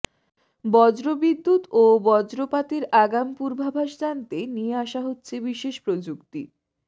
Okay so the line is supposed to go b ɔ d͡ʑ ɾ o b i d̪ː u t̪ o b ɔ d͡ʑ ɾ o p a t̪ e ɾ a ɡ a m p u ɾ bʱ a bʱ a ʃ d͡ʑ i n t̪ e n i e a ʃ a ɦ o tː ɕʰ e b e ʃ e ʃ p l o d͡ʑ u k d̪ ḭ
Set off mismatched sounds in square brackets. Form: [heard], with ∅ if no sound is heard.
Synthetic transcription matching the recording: b ɔ d͡ʑ ɾ o b i d̪ː u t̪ o b ɔ d͡ʑ ɾ o p a t̪ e ɾ a ɡ a m p u ɾ bʱ a bʱ a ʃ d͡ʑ [a] n t̪ e n i e a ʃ a ɦ o tː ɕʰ e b [i] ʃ e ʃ p [ɾ] o d͡ʑ u k [t̪] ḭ

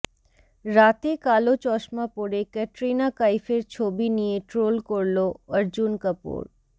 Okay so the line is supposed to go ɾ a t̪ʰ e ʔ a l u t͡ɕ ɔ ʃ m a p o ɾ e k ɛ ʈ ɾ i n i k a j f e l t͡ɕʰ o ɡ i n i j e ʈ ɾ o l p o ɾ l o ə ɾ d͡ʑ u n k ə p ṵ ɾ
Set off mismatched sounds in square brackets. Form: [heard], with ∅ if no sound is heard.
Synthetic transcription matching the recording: ɾ a [t̪] e [k] a l [o] t͡ɕ ɔ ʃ m a p o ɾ e k ɛ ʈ ɾ i n [a] k a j f e [ɾ] t͡ɕʰ o [b] i n i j e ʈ ɾ o l [k] o ɾ l o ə ɾ d͡ʑ u n k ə p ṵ ɾ

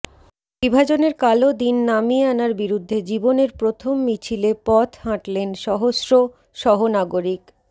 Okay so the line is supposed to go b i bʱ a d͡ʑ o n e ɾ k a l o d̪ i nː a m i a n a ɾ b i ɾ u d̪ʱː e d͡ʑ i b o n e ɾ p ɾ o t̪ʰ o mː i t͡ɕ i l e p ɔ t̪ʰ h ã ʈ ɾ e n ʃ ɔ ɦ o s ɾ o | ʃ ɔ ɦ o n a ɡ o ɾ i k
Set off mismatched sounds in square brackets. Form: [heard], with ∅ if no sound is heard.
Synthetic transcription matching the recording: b i bʱ a d͡ʑ o n e ɾ k a l o d̪ i nː a m i a n a ɾ b i ɾ u d̪ʱː e d͡ʑ i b o n e ɾ p ɾ o t̪ʰ o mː i [t͡ɕʰ] i l e p ɔ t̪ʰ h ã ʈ [l] e n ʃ ɔ ɦ o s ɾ o | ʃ ɔ ɦ o n a ɡ o ɾ i k

